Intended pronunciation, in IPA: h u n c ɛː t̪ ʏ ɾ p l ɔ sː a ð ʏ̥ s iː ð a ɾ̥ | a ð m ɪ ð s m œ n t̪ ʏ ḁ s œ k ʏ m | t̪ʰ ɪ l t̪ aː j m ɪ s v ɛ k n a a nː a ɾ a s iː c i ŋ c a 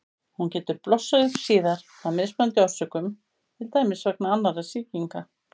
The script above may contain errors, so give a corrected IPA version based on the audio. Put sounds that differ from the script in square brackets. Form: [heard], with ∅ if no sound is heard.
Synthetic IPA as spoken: h u n c ɛː t̪ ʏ ɾ p l ɔ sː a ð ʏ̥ s iː ð a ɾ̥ | a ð m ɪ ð s m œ n t̪ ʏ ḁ s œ k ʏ m | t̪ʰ ɪ l t̪ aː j m ɪ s v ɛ k n a a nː a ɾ a s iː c i ŋ [k] a